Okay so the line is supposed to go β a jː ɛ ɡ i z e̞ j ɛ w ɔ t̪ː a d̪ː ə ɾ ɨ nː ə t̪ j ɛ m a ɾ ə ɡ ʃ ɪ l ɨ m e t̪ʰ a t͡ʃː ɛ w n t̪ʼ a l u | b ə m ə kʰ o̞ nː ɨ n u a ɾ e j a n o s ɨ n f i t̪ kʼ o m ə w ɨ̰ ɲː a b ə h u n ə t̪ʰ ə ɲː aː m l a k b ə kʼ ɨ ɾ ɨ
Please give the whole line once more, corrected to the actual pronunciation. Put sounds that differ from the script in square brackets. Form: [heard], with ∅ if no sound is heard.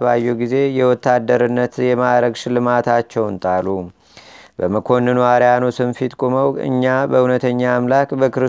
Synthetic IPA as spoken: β a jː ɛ ɡ i z e̞ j ɛ w ɔ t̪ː a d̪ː ə ɾ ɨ nː ə t̪ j ɛ m a ɾ ə ɡ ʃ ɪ l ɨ m [a] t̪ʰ a t͡ʃː ɛ w n t̪ʼ a l u | b ə m ə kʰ o̞ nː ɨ n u a ɾ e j a n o s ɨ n f i t̪ kʼ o m ə w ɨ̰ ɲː a b ə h u n ə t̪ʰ ə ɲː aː m l a k b ə [k] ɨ ɾ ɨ